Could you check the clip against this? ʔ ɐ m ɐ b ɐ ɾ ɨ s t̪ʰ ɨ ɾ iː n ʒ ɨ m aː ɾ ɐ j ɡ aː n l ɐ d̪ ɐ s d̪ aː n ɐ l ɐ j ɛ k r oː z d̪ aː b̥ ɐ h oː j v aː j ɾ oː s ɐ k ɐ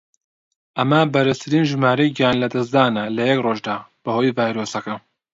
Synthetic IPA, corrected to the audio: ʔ ɐ m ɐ b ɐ ɾ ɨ s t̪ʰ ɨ ɾ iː n ʒ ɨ m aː ɾ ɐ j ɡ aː n l ɐ d̪ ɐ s d̪ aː n ɐ l ɐ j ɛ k r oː ʒ d̪ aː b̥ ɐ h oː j v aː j ɾ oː s ɐ k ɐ